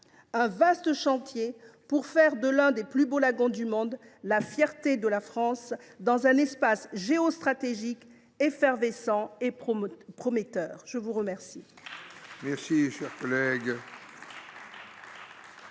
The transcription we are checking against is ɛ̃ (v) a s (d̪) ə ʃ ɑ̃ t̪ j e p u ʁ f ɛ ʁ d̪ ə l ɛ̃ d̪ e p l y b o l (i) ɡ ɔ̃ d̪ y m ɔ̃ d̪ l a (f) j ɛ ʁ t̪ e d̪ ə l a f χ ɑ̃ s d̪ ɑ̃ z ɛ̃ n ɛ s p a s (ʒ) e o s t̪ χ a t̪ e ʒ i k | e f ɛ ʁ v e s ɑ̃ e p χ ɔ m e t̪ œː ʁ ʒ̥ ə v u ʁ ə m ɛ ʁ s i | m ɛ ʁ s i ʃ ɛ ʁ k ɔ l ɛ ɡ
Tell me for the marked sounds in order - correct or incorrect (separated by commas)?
correct, incorrect, incorrect, correct, correct